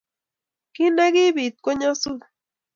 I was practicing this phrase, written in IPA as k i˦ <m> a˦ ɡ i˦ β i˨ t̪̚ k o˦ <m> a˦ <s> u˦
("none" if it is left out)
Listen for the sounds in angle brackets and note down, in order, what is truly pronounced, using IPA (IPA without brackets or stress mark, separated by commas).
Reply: n, ɲ, s